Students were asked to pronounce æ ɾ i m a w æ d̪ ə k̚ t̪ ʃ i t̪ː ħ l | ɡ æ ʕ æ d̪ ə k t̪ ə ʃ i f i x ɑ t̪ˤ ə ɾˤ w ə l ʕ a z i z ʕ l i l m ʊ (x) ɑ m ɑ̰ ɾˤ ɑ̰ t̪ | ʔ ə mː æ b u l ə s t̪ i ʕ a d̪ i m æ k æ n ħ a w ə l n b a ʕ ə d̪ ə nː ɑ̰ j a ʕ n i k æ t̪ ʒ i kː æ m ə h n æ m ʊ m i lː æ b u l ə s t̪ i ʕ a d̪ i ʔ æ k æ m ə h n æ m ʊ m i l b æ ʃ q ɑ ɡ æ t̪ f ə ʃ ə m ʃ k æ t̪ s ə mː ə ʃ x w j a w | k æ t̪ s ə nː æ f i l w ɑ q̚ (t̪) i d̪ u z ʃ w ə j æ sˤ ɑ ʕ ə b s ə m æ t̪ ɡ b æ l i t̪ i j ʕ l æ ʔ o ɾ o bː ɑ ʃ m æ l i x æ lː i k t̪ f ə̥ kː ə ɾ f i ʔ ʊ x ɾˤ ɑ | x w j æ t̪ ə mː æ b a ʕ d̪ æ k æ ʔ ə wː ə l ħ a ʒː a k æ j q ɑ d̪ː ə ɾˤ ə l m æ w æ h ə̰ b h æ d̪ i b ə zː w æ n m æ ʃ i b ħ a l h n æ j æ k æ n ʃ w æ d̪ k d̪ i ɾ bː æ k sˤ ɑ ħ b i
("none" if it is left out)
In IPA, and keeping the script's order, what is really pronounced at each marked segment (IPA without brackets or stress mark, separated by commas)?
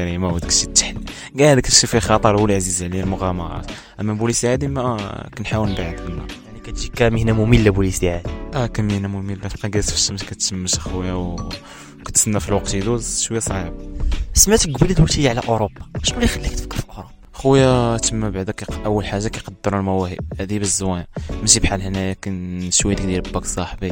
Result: ɣ, t̪